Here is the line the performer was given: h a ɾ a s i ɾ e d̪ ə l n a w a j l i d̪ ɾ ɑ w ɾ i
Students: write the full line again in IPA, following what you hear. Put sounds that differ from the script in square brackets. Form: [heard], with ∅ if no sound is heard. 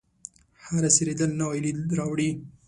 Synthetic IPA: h a ɾ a s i ɾ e d̪ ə l n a w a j l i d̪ ɾ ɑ w [ɽ] i